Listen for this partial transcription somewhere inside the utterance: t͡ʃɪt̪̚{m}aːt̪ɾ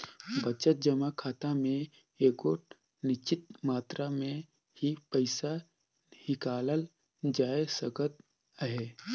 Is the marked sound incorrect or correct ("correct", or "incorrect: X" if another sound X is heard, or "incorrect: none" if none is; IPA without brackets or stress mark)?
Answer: correct